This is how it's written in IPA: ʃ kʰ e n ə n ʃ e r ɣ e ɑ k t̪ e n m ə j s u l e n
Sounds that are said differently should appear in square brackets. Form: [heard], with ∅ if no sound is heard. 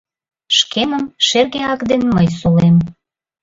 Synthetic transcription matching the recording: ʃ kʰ e [m] ə [m] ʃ e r ɣ e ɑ k [d̪] e n m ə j s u l e [m]